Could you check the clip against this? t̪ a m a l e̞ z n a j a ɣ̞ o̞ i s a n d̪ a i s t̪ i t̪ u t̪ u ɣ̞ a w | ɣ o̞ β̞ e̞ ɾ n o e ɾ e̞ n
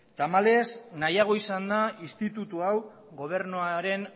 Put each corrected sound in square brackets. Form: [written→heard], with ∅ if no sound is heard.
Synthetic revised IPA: t̪ a m a l e̞ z n a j a ɣ̞ o̞ i s a n d̪ a i s t̪ i t̪ u t̪ u [ɣ̞→∅] a w | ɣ o̞ β̞ e̞ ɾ n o [e→a] ɾ e̞ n